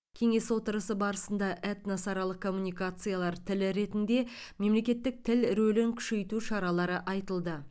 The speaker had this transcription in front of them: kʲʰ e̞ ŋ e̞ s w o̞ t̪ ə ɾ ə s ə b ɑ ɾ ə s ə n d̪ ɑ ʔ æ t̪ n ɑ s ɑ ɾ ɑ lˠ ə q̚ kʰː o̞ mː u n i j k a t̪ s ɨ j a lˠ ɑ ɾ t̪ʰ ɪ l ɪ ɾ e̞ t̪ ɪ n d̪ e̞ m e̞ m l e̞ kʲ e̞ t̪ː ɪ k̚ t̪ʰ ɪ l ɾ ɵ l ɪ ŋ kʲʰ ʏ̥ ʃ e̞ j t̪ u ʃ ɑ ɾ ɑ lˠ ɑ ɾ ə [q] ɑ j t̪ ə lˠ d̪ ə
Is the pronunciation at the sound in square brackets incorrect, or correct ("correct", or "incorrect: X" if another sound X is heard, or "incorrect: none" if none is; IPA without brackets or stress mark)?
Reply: incorrect: ʔ